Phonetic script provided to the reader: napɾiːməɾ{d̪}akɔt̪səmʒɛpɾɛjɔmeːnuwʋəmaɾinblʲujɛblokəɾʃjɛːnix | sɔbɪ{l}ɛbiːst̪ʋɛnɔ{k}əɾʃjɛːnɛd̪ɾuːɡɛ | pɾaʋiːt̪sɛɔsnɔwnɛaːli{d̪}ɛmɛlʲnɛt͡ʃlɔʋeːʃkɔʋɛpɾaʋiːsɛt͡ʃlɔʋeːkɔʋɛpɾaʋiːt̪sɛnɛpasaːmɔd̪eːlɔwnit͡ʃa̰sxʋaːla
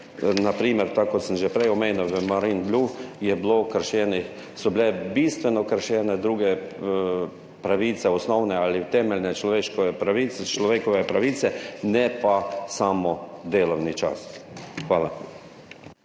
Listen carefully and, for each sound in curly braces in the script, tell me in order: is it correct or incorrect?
incorrect: t̪, correct, correct, incorrect: t̪

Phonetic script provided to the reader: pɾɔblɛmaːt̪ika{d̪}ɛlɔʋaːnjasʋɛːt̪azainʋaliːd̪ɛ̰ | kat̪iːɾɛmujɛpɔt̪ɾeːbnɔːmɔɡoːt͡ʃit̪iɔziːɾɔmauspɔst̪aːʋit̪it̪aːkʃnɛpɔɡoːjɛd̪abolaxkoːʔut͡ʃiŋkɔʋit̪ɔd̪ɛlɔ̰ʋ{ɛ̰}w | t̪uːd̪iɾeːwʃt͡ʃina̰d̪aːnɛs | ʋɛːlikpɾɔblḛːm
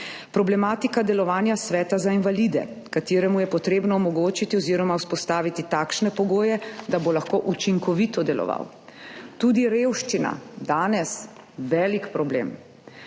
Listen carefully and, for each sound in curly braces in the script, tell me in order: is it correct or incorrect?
correct, incorrect: a̰

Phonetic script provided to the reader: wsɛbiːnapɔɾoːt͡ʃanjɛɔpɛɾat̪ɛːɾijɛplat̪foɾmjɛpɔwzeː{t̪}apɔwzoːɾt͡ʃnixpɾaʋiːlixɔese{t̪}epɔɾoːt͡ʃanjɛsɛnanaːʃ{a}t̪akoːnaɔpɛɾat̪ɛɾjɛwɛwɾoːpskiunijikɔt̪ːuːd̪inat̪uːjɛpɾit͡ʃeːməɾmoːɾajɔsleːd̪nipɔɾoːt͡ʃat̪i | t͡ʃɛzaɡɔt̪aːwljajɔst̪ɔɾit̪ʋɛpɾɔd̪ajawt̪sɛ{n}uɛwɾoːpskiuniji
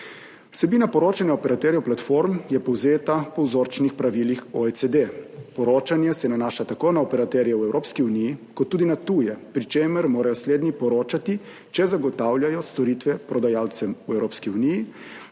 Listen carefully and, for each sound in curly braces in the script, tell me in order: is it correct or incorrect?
correct, incorrect: d̪, correct, incorrect: m

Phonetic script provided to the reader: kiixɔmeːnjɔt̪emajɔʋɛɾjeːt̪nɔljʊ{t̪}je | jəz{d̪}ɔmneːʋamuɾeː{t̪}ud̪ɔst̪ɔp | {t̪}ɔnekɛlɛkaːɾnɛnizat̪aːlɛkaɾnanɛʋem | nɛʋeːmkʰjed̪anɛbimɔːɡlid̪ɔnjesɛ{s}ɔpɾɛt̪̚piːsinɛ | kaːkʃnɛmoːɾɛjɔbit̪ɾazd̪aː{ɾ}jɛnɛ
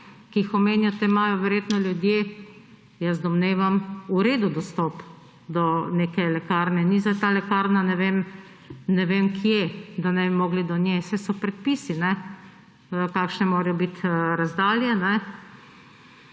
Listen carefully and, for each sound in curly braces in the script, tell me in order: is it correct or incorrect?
incorrect: d̪, correct, incorrect: d̪, incorrect: d̪, correct, incorrect: l

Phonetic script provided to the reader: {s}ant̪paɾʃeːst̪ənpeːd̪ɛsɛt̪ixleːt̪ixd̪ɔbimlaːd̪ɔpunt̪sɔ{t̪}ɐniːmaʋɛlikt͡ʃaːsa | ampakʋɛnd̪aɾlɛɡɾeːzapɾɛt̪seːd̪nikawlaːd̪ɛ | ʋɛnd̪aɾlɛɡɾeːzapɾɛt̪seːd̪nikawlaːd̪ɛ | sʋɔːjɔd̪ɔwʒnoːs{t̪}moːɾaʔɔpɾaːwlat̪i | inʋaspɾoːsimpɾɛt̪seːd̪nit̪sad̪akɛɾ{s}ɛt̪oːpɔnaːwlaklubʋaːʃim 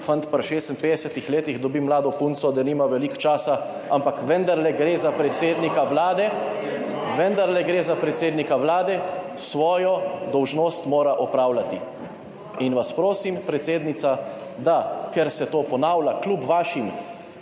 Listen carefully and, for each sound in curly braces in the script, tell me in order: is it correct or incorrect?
incorrect: f, incorrect: d̪, correct, correct

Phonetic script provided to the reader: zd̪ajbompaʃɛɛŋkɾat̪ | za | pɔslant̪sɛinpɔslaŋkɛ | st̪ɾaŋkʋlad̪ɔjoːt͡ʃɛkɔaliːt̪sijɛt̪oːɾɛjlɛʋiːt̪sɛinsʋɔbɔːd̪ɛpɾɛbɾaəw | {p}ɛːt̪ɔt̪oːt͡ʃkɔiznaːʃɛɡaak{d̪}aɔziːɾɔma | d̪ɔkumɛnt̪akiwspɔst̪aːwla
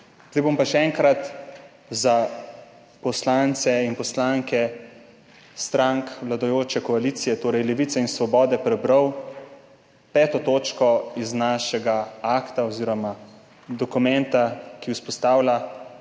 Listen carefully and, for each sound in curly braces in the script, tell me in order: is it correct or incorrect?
correct, incorrect: t̪

